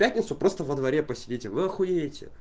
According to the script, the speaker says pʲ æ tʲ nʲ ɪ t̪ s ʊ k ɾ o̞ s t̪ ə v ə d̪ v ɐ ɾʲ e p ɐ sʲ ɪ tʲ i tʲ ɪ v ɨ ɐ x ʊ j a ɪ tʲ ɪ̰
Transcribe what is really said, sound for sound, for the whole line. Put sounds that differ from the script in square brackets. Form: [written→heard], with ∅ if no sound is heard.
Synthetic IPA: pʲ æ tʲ nʲ ɪ t̪ s ʊ [k→p] ɾ o̞ s t̪ ə v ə d̪ v ɐ ɾʲ e p [ɐ→ə] sʲ ɪ [tʲ→dʲ] i tʲ ɪ v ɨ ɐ x ʊ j [a→e] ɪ tʲ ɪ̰